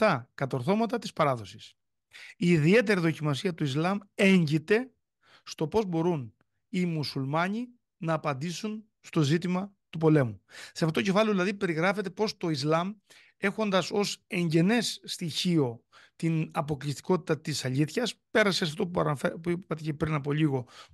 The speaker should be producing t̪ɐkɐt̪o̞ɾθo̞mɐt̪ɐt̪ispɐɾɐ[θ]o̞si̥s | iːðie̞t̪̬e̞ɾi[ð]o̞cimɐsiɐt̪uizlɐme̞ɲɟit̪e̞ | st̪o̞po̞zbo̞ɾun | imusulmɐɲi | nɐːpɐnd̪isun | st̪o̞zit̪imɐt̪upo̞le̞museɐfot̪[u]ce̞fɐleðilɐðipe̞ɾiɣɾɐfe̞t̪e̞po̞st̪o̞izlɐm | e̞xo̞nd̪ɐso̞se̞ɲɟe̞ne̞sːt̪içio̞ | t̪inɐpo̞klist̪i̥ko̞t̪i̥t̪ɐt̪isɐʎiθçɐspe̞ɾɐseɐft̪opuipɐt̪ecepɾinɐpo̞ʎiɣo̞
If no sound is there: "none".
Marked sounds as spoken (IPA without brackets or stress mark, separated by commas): ð, ð, o